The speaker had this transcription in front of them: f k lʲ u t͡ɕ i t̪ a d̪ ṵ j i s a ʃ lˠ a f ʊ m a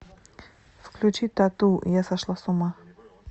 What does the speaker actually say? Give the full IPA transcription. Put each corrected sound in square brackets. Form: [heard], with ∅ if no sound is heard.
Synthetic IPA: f k lʲ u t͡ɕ i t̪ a [t̪] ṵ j [a] s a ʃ lˠ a [s] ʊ m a